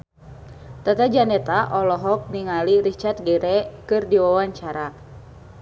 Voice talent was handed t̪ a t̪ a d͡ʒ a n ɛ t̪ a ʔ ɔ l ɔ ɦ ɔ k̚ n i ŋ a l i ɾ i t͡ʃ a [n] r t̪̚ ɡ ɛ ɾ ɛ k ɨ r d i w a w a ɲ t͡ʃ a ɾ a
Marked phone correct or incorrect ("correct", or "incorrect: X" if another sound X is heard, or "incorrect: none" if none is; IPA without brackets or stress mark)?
incorrect: none